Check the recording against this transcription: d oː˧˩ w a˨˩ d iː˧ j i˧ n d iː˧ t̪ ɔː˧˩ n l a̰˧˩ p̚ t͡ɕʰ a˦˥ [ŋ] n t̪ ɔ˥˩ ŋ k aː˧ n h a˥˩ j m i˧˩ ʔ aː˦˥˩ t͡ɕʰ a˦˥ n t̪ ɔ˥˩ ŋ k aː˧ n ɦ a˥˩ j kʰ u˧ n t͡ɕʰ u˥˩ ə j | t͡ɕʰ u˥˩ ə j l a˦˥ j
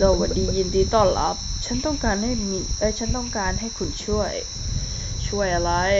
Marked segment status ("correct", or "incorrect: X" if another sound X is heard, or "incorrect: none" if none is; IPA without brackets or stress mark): incorrect: none